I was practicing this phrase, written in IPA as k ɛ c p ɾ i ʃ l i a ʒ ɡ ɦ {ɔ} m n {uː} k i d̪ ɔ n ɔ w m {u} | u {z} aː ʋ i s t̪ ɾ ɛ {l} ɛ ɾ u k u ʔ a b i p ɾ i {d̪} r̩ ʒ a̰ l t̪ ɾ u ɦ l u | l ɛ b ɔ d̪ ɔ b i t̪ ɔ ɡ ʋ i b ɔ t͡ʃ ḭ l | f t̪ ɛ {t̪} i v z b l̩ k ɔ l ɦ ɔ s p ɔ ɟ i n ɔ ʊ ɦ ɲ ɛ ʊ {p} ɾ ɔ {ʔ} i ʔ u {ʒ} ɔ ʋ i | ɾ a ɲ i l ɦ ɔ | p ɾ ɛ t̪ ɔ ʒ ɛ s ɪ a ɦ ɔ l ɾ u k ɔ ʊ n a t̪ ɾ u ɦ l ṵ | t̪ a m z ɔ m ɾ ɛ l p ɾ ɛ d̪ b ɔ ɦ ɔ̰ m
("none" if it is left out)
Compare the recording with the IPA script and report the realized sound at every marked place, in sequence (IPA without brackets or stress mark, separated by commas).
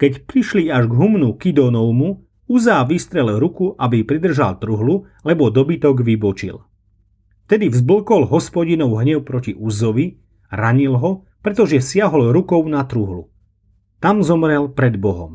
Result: u, u, u, z, l, d̪, d̪, p, c, z